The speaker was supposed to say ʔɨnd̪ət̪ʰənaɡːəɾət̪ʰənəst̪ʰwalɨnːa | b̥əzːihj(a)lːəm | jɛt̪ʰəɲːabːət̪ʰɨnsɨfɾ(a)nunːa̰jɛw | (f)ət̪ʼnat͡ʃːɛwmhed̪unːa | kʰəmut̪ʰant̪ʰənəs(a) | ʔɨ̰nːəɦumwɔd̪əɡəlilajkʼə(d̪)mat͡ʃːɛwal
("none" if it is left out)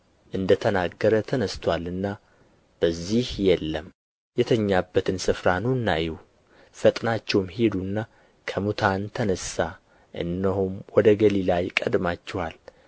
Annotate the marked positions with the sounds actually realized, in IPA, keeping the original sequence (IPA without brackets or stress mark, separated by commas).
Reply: ɛ, a, f, a, d̪